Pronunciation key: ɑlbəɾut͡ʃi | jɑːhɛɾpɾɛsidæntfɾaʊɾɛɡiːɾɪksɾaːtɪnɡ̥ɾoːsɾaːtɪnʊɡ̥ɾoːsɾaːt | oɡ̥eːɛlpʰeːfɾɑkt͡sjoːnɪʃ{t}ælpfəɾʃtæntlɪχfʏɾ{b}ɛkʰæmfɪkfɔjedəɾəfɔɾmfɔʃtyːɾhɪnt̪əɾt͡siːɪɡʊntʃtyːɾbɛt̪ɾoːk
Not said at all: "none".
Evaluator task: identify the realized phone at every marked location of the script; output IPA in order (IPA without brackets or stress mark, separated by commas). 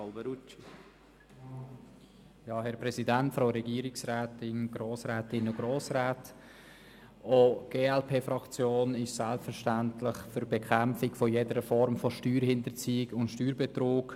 s, b